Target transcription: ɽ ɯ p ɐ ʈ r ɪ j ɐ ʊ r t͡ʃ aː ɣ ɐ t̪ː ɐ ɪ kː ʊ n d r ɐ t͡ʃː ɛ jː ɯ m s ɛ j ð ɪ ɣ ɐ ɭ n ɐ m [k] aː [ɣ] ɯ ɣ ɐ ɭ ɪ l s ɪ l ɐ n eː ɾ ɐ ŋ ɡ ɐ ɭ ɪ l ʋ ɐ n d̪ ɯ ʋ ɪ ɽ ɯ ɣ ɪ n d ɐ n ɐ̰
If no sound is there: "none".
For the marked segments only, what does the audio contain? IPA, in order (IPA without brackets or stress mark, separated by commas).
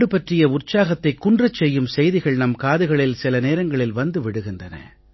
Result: k, ð